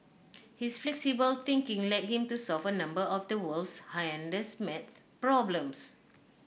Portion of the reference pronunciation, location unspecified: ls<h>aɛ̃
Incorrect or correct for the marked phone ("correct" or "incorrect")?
correct